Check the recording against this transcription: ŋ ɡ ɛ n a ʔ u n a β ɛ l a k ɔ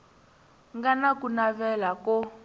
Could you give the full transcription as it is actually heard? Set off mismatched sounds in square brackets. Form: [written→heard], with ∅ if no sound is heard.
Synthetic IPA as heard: ŋ ɡ [ɛ→a] n a [ʔ→k] u n a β ɛ l a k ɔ